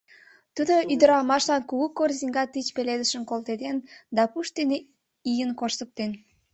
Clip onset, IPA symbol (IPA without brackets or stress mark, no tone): t̪